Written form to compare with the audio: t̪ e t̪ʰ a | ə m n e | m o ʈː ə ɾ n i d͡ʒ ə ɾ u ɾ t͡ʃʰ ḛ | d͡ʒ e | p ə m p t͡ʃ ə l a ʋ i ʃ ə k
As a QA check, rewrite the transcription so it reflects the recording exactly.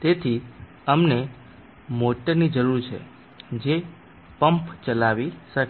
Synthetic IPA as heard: t̪ e t̪ʰ i | ə m n e | m o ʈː ə ɾ n i d͡ʒ ə ɾ u ɾ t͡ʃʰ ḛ | d͡ʒ e | p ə m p t͡ʃ ə l a ʋ i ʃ ə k